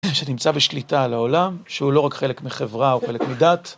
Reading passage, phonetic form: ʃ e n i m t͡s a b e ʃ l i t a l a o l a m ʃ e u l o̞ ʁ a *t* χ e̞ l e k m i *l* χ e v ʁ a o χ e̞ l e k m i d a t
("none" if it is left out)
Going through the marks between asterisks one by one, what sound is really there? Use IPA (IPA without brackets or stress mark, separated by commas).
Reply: k, none